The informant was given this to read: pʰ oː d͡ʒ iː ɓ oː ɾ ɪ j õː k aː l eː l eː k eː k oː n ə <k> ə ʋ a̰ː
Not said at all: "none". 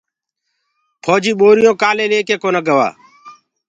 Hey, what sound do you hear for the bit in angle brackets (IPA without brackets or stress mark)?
ɡ